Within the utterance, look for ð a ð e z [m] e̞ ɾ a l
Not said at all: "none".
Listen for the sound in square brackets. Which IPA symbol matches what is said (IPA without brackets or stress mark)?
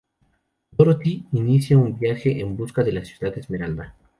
m